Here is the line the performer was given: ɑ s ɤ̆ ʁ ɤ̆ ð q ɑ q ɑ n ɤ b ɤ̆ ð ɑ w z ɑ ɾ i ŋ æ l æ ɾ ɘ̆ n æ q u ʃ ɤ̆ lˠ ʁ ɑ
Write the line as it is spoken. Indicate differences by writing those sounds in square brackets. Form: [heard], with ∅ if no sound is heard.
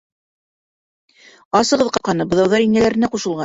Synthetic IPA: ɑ s ɤ̆ ʁ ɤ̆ ð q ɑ q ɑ n ɤ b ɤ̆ ð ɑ w [ð] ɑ ɾ i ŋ æ l æ ɾ ɘ̆ n æ q u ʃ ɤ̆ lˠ ʁ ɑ